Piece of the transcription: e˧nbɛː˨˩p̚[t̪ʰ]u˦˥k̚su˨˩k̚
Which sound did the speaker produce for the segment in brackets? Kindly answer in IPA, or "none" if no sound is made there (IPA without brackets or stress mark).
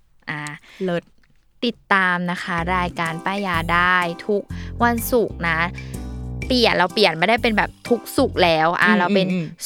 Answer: t̪ʰ